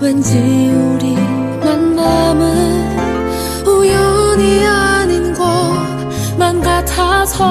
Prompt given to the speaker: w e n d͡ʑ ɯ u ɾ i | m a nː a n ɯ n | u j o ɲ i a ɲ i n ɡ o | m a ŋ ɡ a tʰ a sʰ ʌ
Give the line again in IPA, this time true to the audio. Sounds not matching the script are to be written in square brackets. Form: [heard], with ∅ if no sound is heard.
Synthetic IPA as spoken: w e n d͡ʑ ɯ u ɾ i | m a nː a [m] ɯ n | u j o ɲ i a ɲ i n ɡ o | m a [n] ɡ a tʰ a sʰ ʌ